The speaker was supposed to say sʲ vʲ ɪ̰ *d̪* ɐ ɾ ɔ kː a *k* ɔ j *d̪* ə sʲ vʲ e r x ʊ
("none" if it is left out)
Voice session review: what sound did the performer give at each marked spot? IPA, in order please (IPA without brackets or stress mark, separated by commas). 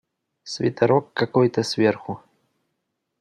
t̪, k, t̪